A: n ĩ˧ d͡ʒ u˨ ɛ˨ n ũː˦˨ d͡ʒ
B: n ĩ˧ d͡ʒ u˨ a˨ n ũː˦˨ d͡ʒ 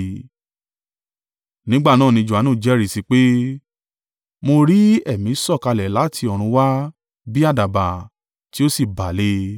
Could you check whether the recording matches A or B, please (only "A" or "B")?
B